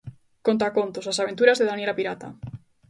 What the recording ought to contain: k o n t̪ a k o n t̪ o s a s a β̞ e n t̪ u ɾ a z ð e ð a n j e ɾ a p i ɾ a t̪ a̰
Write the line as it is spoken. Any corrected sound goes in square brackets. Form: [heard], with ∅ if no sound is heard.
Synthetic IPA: k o n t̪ a k o n t̪ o s a s a β̞ e n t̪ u ɾ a z ð e ð a n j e [l] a p i ɾ a t̪ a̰